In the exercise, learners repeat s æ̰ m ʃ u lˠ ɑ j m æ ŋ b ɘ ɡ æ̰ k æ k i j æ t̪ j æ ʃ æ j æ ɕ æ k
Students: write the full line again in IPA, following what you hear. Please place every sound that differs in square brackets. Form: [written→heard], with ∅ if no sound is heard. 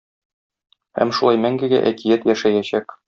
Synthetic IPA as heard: [s→h] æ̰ m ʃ u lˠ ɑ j m æ ŋ [b→ɡ] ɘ ɡ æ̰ [k→ʔ] æ k i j æ t̪ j æ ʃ æ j æ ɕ æ k